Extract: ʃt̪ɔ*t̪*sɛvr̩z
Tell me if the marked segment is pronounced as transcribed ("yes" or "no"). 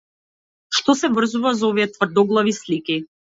no